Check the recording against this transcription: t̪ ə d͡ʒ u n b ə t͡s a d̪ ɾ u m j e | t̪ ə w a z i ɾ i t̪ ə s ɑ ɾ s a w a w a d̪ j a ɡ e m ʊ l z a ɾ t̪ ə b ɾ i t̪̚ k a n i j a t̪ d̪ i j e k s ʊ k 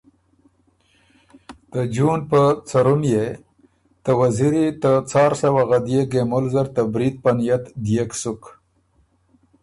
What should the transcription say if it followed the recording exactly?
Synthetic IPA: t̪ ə d͡ʒ u n p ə t͡s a ɾ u m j e | t̪ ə w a z i ɾ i t̪ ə t͡s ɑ ɾ s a w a ɣ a d̪ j e ɡ e m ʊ l z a ɾ t̪ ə b ɾ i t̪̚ p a n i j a t̪ d̪ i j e k s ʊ k